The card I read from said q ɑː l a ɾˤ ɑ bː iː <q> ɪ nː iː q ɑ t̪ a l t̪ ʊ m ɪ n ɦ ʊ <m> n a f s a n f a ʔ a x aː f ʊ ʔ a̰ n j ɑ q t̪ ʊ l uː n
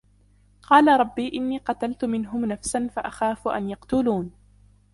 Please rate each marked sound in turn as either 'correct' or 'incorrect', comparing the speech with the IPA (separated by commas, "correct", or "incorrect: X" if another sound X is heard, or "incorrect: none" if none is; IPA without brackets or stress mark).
incorrect: ʔ, correct